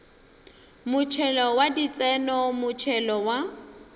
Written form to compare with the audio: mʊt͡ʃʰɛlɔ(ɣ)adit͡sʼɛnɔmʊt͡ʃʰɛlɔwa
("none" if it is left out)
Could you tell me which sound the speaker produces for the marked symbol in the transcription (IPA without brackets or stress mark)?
w